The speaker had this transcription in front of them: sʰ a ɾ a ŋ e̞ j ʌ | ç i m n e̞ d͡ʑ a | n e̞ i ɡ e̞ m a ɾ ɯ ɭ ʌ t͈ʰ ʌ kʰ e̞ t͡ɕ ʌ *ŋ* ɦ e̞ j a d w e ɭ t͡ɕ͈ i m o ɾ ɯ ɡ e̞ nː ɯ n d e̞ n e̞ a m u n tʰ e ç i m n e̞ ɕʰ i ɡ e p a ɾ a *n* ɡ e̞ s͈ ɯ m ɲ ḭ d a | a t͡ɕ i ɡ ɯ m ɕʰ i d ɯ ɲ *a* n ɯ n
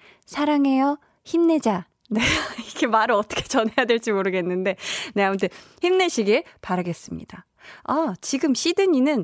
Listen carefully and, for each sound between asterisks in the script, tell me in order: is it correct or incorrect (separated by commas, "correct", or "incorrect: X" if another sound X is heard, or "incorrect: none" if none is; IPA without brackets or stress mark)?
incorrect: n, incorrect: none, incorrect: i